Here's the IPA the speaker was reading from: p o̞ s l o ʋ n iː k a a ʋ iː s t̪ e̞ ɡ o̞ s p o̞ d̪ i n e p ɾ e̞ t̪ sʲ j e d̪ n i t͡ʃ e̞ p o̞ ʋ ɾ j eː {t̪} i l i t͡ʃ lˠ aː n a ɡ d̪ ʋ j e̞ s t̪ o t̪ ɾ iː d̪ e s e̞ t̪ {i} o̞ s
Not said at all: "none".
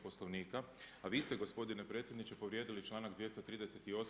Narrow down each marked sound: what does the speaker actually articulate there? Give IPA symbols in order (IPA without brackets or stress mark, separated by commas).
d̪, i